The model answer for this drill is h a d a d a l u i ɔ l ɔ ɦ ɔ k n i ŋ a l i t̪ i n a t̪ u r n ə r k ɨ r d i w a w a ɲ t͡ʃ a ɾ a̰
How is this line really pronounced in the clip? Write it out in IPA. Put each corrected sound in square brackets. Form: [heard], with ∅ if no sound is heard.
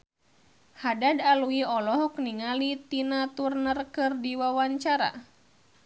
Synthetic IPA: h a d a d a l u i ɔ l ɔ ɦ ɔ k n i ŋ a l i t̪ i n a t̪ u r n ə r k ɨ r d i w a w a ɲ t͡ʃ a ɾ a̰